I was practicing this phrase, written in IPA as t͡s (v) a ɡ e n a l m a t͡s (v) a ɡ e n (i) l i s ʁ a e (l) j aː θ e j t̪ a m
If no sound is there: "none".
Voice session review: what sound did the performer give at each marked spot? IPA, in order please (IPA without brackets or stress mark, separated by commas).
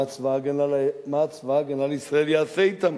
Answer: v, v, a, l